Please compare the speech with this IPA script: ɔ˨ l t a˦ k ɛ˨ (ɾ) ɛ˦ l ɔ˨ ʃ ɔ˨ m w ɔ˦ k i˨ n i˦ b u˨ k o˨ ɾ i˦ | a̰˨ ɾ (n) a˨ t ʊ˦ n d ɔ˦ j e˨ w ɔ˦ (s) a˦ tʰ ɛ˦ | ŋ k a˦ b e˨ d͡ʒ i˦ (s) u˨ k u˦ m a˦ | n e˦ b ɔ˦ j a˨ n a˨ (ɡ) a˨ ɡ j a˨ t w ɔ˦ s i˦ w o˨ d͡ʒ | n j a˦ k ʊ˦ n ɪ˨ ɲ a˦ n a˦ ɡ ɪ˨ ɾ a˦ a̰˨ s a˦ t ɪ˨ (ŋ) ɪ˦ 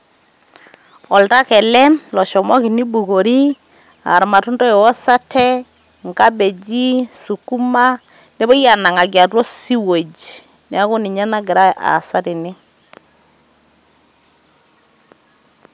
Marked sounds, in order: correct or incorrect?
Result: incorrect: l, incorrect: m, correct, correct, incorrect: ŋ, incorrect: n

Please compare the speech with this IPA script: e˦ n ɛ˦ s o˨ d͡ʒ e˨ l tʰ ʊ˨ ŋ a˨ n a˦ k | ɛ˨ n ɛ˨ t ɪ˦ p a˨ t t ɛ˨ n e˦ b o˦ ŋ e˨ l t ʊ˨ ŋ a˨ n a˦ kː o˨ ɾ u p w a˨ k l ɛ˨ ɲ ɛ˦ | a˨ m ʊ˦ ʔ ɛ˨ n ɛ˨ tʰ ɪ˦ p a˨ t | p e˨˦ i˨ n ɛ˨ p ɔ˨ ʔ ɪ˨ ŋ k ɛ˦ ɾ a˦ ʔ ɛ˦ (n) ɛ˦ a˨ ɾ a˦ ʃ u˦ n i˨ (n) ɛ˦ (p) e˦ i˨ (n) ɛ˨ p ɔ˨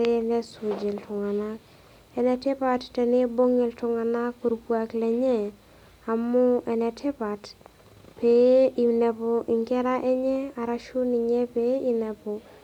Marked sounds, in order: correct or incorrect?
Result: incorrect: ɲ, incorrect: ɲ, correct, correct

